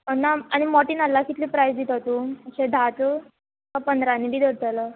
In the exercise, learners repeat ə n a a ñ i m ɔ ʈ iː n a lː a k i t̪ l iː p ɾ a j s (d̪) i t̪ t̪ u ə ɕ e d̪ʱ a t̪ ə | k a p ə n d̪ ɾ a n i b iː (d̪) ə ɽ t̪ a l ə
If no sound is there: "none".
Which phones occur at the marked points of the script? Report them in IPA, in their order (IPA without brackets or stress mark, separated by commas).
d̪, d̪